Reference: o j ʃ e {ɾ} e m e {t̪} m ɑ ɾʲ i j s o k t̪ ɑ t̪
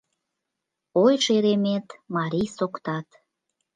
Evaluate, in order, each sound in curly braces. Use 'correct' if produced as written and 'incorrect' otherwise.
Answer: correct, correct

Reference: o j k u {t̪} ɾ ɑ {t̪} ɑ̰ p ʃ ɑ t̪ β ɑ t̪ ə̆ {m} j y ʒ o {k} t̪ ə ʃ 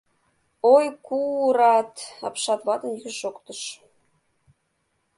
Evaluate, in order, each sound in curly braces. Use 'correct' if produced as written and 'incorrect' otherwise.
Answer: incorrect: none, correct, incorrect: n, correct

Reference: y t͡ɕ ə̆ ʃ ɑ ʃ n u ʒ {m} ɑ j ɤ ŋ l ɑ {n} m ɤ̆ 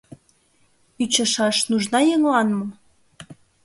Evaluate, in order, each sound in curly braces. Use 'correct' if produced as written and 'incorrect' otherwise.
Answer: incorrect: n, correct

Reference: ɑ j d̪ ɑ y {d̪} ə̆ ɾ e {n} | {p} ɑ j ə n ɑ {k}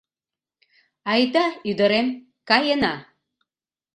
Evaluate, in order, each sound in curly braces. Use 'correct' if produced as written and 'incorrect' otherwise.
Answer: correct, incorrect: m, incorrect: k, incorrect: none

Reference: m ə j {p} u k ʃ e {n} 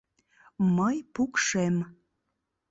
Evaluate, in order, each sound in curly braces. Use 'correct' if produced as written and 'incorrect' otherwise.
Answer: correct, incorrect: m

